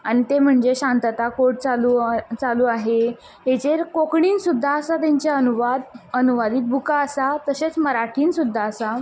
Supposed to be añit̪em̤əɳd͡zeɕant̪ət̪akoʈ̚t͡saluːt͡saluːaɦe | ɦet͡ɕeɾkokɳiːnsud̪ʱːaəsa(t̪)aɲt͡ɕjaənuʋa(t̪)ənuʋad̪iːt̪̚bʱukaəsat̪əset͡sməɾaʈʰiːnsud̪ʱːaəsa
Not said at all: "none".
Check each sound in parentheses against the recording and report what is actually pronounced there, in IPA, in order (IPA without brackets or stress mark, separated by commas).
t̪, d̪